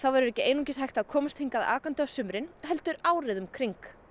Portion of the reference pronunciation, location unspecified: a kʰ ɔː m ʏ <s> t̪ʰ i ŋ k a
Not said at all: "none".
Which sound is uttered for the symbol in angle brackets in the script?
s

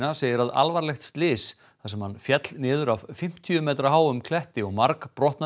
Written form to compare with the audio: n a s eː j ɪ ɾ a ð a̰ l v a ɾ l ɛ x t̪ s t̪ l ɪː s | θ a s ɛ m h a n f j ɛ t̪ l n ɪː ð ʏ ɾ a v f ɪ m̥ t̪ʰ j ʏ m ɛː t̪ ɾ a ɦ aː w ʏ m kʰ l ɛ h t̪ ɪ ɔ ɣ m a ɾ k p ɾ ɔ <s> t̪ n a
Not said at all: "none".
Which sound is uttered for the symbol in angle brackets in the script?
h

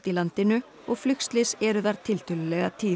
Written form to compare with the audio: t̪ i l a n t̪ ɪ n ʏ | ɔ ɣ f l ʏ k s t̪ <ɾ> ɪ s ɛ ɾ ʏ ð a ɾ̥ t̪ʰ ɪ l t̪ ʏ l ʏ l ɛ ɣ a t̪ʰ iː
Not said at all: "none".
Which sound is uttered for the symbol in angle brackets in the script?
l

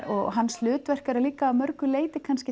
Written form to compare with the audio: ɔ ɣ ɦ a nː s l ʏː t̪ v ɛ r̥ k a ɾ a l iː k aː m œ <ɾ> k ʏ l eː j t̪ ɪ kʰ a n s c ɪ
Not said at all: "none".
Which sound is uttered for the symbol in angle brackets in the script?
ɾ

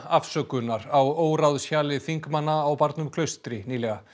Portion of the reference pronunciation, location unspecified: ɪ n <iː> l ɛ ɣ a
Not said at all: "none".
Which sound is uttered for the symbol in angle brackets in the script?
iː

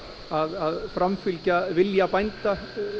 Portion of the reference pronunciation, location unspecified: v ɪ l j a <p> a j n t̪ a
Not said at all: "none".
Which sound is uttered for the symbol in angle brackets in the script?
p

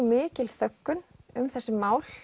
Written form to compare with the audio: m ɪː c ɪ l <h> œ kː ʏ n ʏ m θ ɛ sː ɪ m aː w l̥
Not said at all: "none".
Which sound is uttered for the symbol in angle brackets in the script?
θ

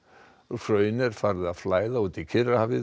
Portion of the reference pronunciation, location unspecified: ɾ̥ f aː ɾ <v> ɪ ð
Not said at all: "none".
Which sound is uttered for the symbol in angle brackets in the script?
ð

